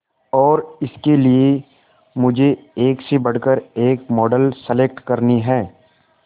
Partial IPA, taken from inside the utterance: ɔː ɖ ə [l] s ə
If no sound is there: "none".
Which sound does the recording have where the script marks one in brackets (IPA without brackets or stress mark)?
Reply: l